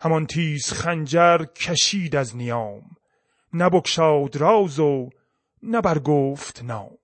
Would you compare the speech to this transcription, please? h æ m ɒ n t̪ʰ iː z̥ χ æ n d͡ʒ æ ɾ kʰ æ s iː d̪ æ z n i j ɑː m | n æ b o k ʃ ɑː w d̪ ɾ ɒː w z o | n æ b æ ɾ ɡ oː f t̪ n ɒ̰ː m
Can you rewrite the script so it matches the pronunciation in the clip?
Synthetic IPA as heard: h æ m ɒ n t̪ʰ iː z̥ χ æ n d͡ʒ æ ɾ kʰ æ ʃ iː d̪ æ z n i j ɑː m | n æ b o k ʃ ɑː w d̪ ɾ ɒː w z o | n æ b æ ɾ ɡ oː f t̪ n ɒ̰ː m